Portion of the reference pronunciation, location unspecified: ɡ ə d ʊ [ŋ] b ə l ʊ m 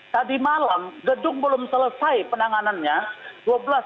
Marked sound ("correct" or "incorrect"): correct